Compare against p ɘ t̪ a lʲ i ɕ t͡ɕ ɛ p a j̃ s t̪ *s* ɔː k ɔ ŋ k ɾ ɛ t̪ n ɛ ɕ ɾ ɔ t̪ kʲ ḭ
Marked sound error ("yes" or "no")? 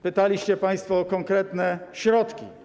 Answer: yes